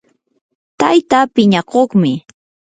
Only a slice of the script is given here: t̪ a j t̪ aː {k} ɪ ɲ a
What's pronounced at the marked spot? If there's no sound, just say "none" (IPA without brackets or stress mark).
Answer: p